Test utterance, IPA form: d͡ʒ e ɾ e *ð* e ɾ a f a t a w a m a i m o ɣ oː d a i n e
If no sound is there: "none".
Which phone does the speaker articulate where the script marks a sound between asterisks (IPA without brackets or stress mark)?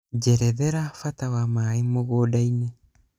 ð